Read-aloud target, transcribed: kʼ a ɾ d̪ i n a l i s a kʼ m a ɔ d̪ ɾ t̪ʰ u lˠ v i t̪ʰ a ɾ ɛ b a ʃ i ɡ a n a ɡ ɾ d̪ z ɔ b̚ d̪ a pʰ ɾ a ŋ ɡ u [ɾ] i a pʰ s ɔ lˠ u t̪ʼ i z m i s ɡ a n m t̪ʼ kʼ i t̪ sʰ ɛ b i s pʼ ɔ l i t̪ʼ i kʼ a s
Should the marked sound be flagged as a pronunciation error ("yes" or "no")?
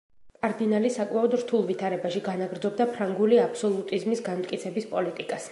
yes